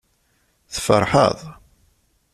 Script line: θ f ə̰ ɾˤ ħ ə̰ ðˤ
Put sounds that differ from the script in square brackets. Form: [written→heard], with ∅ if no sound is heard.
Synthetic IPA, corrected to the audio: θ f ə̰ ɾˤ ħ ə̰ ðˤ

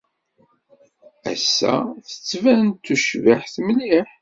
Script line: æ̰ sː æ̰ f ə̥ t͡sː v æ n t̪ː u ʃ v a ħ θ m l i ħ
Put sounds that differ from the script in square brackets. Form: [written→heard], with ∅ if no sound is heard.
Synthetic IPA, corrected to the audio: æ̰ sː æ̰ [f→θ] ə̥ t͡sː v æ n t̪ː u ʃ v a ħ θ m l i ħ

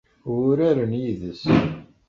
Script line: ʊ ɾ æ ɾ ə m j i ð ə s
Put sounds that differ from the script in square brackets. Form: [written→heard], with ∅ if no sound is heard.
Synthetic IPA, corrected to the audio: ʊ ɾ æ ɾ ə [m→n] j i ð ə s

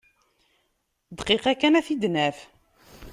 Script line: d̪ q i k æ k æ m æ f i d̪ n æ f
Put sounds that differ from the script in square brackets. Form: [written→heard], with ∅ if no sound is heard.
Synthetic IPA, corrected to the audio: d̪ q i [k→q] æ k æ [m→n] æ [f→θ] i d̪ n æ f

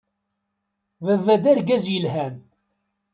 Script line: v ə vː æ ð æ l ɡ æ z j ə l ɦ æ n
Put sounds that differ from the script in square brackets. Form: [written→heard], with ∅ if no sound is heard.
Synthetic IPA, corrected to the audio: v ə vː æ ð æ [l→ɾ] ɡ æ z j ə l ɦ æ n

